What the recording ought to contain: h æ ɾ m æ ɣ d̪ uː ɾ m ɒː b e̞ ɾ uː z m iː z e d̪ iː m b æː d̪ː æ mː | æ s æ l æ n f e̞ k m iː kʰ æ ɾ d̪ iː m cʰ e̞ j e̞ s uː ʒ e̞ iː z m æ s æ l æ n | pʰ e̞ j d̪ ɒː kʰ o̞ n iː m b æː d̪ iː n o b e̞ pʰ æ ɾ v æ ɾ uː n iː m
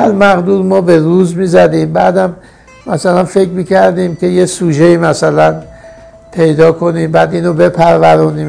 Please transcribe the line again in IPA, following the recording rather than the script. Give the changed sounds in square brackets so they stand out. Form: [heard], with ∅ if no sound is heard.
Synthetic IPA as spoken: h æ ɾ m æ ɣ d̪ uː ɾ m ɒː b e̞ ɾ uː z m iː z [æ] d̪ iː m b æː [d̪] æ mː | æ s æ l æ n f e̞ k m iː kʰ æ ɾ d̪ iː m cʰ e̞ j e̞ s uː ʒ e̞ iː [∅] m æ s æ l æ n | pʰ e̞ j d̪ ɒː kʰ o̞ n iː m b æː d̪ iː n o b e̞ pʰ æ ɾ v æ ɾ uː n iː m